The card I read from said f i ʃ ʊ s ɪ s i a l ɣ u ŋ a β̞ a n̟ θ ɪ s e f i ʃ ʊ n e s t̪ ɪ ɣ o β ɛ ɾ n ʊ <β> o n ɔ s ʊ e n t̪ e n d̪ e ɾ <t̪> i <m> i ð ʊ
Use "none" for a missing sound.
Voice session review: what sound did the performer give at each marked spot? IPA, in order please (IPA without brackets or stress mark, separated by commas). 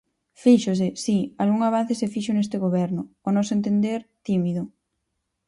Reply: none, t̪, m